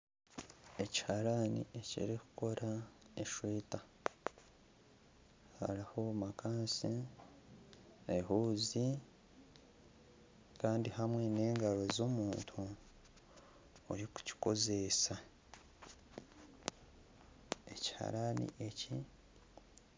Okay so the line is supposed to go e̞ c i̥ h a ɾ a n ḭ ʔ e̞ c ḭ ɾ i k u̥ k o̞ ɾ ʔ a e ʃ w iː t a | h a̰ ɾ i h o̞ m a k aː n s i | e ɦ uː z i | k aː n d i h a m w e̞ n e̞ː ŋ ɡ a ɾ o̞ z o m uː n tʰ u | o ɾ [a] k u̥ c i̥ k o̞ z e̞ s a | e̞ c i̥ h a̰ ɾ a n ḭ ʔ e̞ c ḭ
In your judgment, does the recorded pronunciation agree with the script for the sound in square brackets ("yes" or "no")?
no